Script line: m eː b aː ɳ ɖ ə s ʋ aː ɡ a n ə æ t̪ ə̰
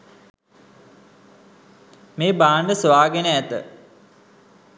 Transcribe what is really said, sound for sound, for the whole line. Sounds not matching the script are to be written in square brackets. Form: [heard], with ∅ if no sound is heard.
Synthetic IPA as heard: m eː b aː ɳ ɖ ə s ʋ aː ɡ [e] n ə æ t̪ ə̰